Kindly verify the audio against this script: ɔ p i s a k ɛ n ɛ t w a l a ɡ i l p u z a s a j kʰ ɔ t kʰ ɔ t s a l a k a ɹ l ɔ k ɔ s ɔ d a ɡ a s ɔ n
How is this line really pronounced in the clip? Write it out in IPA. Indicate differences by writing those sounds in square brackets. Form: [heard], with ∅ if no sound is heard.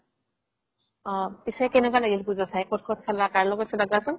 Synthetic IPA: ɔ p i s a k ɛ n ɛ [k] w a l a ɡ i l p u z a s a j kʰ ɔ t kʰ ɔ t s a l a k a ɹ l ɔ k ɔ s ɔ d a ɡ a s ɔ n